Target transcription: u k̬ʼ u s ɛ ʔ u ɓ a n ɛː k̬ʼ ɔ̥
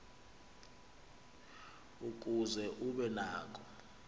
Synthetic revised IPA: u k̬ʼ u z ɛ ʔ u ɓ ɛ n aː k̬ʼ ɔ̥